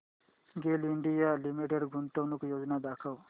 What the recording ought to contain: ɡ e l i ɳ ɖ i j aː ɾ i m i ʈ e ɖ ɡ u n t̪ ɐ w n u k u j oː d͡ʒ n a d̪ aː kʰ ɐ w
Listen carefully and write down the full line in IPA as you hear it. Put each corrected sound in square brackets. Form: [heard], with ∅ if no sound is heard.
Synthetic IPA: ɡ e l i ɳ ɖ i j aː [l] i m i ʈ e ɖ ɡ u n t̪ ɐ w n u k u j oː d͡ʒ n a d̪ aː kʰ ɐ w